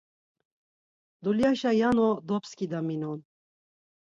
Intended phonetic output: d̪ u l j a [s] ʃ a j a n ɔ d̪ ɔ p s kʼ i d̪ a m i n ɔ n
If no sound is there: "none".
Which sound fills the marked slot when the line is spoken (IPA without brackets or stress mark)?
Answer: none